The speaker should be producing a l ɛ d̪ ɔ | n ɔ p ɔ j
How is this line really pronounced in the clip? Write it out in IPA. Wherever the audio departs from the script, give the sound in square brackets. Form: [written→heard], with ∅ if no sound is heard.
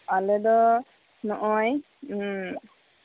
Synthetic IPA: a l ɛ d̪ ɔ | n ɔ [p→ʔ] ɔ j